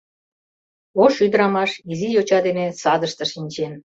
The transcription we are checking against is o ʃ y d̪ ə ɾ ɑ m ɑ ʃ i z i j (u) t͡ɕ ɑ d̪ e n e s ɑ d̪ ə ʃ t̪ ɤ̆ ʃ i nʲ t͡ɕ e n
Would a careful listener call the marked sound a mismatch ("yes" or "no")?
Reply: yes